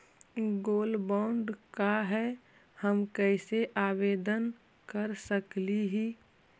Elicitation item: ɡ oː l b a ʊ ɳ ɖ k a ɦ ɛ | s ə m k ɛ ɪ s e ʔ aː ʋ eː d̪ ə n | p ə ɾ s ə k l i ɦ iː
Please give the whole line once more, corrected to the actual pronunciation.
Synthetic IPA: ɡ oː l b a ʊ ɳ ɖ k a ɦ ɛ | h ə m k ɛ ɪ s e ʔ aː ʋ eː d̪ ə n | k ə ɾ s ə k l i ɦ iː

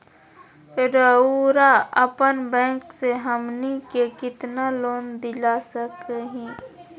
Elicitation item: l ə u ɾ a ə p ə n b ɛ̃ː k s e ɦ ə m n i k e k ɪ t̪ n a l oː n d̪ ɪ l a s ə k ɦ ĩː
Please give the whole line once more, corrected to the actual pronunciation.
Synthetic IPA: ɾ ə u ɾ a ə p ə n b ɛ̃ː k s e ɦ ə m n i k e k ɪ t̪ n a l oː n d̪ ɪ l a s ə k ɦ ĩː

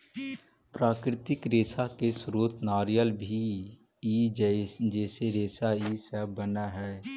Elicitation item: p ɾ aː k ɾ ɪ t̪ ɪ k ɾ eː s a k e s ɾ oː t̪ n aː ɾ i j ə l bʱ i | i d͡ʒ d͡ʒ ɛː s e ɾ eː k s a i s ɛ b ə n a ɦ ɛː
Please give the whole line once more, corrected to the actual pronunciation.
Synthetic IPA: p ɾ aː k ɾ ɪ t̪ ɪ k ɾ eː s a k e s ɾ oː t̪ n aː ɾ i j ə l bʱ i | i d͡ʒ d͡ʒ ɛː s e ɾ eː s a i s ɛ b ə n a ɦ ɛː

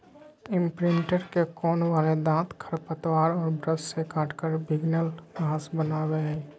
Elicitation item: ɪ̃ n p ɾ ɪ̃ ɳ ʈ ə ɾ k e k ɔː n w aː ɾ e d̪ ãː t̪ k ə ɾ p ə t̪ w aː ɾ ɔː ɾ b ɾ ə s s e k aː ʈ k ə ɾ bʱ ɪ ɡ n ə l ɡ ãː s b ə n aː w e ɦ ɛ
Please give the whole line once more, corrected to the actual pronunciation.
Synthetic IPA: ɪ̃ m p ɾ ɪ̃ ɳ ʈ ə ɾ k e k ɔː n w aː l e d̪ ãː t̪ kʰ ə ɾ p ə t̪ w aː ɾ ɔː ɾ b ɾ ə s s e k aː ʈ k ə ɾ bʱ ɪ ɡ n ə l ɡ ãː s b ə n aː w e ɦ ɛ

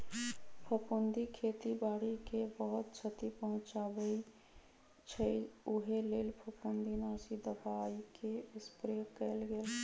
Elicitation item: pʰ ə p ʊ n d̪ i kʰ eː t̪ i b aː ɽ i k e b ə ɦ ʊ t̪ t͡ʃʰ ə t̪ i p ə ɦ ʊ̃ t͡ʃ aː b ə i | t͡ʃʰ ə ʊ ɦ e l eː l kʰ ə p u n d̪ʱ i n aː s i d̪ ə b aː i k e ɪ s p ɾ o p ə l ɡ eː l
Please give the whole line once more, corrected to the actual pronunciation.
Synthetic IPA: pʰ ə p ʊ n d̪ i kʰ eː t̪ i b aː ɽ i k e b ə ɦ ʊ t̪ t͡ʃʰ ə t̪ i p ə ɦ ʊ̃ t͡ʃ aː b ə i | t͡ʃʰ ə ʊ ɦ e l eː l pʰ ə p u n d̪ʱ i n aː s i d̪ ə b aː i k e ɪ s p ɾ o k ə l ɡ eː l

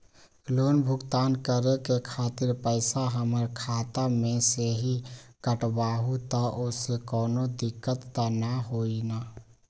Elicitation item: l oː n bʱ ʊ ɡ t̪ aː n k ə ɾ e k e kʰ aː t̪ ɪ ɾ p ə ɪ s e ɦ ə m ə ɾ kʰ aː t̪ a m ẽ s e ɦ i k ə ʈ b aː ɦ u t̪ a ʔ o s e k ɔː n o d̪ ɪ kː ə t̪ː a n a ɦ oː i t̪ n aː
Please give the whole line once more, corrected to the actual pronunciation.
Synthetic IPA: l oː n bʱ ʊ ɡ t̪ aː n k ə ɾ e k e kʰ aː t̪ ɪ ɾ p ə ɪ s a ɦ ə m ə ɾ kʰ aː t̪ a m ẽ s e ɦ i k ə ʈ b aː ɦ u t̪ a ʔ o s e k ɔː n o d̪ ɪ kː ə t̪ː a n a ɦ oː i n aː

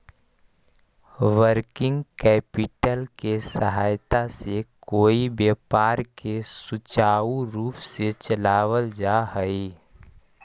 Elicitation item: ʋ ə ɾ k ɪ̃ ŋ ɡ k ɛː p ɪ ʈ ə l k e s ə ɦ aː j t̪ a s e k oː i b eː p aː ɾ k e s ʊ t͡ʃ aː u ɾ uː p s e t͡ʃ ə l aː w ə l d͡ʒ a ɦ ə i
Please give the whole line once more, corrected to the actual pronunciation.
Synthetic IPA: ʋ ə ɾ k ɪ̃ ŋ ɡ k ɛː p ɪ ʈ ə l k e s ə ɦ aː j t̪ a s e k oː i b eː p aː ɾ k e s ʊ t͡ʃ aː u ɾ uː p s e t͡ʃ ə l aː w ə l d͡ʒ a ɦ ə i

